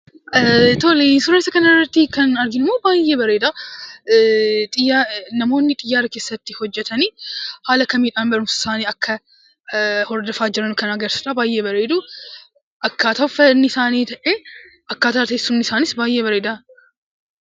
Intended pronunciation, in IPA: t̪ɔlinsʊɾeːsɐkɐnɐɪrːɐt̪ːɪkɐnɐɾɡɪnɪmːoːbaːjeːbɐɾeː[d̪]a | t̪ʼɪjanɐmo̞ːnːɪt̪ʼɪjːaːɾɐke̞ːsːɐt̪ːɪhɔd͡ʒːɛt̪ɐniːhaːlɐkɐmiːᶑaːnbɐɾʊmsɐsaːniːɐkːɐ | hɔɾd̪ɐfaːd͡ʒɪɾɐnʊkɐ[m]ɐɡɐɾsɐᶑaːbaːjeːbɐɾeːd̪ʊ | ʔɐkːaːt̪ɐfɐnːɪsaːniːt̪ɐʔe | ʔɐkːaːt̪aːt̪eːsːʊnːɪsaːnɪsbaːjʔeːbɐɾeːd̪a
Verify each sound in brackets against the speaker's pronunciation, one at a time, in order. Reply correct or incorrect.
correct, incorrect

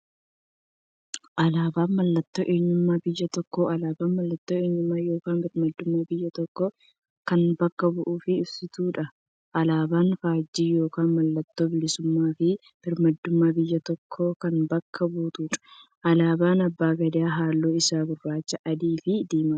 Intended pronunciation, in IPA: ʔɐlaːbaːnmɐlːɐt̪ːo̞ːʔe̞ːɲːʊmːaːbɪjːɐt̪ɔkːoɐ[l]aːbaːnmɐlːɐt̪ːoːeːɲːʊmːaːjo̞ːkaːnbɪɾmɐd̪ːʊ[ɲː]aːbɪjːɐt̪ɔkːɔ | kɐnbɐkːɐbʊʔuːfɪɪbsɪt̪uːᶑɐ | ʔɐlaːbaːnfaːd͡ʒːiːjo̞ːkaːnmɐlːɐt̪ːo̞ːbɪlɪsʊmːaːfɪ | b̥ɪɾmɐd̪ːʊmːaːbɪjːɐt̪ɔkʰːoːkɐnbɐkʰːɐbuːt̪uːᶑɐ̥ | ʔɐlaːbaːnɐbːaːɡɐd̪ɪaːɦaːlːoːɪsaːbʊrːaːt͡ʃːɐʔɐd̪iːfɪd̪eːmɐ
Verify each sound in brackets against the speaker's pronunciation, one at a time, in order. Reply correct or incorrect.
correct, incorrect

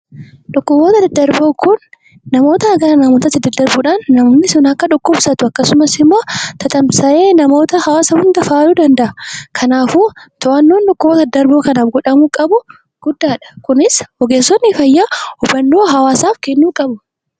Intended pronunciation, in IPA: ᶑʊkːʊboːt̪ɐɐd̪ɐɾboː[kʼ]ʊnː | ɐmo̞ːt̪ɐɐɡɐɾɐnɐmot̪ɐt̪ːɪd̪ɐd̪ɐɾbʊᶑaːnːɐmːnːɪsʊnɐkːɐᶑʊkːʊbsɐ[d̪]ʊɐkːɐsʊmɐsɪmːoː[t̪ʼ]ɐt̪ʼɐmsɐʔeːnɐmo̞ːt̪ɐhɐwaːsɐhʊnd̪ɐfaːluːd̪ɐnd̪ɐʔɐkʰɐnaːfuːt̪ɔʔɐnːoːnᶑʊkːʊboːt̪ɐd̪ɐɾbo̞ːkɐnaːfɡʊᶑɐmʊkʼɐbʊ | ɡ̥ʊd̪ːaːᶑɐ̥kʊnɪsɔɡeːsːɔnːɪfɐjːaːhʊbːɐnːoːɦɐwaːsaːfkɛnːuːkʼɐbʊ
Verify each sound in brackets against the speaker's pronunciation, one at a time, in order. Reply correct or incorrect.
incorrect, incorrect, incorrect

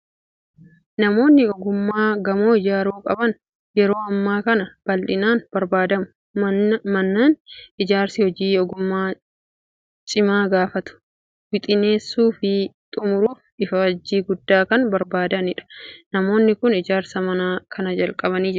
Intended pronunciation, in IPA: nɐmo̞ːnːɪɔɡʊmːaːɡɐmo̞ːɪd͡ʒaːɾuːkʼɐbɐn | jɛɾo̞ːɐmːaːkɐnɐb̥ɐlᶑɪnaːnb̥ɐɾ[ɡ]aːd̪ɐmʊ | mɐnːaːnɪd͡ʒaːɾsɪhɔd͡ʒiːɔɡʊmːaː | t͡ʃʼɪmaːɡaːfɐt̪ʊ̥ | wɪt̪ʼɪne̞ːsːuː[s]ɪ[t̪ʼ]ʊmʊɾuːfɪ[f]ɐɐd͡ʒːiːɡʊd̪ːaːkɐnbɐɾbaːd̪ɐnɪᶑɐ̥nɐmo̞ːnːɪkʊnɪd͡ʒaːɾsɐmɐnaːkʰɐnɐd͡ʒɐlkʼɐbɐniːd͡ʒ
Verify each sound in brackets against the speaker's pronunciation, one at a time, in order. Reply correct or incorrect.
incorrect, incorrect, correct, correct

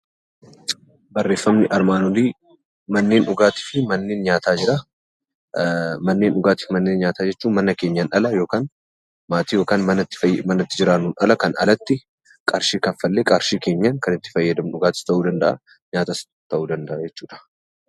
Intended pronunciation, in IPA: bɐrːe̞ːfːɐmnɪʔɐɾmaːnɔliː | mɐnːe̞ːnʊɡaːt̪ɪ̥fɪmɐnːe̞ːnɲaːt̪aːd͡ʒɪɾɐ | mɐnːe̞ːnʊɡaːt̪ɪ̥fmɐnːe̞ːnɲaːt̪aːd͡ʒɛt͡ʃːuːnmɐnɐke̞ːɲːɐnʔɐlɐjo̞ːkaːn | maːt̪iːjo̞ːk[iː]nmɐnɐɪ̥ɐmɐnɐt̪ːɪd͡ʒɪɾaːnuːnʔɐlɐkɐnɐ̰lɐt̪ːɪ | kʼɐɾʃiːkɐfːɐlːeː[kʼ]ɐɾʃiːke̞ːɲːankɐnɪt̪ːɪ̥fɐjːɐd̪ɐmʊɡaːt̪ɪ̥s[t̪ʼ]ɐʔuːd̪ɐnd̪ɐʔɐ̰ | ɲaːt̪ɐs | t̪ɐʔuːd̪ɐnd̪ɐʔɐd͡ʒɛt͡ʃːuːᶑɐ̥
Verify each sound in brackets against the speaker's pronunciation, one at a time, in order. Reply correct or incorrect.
incorrect, correct, incorrect

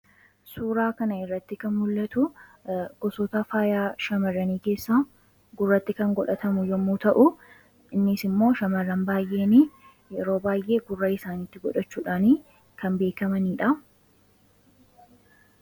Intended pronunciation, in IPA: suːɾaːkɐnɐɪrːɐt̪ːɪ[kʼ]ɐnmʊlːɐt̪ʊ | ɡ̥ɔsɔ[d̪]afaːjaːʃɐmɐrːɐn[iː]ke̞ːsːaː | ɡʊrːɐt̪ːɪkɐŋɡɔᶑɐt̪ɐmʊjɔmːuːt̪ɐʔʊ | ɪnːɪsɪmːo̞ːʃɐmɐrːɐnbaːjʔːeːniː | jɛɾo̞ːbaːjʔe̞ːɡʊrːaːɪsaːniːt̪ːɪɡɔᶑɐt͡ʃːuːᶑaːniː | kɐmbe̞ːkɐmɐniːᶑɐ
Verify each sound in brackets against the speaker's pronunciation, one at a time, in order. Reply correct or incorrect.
incorrect, incorrect, correct

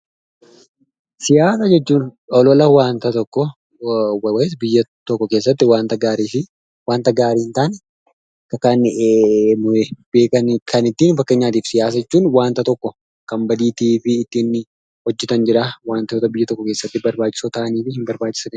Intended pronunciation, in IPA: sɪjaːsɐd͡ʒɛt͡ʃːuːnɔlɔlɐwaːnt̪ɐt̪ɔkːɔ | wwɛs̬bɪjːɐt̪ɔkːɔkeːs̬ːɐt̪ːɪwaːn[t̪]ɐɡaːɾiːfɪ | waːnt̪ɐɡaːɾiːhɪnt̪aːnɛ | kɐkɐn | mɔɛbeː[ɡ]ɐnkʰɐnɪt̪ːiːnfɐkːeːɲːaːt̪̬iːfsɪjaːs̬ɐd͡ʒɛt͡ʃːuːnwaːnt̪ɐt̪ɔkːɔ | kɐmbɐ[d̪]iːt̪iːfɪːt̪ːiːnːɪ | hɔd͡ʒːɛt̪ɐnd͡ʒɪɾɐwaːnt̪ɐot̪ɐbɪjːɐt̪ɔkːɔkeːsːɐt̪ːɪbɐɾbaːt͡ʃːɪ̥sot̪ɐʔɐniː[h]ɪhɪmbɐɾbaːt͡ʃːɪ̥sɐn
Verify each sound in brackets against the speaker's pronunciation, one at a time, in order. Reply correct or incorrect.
correct, incorrect, correct, incorrect

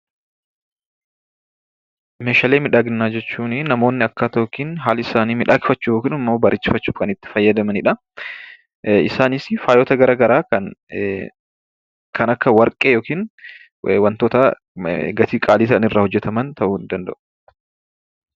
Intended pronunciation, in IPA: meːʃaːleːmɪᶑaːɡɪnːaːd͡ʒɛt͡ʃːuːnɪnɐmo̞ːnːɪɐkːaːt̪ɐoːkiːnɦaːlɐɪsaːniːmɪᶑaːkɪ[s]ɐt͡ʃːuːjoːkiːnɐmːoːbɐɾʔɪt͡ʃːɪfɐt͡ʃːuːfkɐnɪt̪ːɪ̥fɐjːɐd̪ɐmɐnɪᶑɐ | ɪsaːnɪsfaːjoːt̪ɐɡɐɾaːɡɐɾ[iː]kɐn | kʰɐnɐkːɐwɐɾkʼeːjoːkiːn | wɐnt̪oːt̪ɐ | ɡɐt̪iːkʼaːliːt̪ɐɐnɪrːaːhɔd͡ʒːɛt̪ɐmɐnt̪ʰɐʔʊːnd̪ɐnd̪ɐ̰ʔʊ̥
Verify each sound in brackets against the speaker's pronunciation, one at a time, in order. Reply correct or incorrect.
incorrect, incorrect

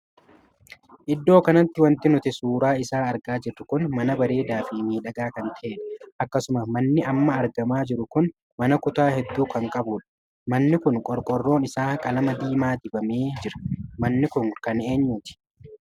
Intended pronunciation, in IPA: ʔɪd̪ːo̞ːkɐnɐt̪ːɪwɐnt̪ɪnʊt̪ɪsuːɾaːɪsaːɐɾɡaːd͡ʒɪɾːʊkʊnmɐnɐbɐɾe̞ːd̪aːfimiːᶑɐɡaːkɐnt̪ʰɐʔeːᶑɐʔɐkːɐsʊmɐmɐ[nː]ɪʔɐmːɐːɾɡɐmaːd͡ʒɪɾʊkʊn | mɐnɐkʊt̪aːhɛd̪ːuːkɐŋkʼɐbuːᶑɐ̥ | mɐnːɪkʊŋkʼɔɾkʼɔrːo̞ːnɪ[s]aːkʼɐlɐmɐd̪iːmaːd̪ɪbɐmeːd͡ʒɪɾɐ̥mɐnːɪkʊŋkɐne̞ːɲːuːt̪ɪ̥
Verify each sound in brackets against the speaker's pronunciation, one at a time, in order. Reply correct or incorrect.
correct, correct

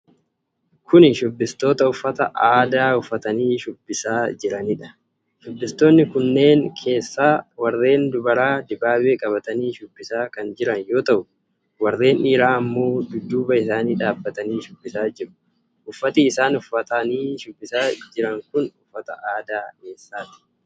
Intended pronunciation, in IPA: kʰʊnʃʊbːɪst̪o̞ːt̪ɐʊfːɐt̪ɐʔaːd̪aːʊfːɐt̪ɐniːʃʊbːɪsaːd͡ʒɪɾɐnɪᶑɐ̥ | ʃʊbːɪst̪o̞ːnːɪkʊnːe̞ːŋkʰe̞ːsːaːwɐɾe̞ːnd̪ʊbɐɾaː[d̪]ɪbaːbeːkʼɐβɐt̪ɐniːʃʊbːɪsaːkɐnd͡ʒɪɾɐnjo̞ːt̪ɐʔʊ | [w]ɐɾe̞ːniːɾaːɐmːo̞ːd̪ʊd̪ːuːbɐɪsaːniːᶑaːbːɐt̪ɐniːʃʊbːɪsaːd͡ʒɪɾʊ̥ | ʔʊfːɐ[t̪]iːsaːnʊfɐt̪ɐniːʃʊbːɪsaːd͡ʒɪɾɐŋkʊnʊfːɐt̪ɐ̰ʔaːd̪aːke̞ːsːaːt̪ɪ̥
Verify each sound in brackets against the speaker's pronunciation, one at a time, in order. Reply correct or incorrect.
correct, correct, correct

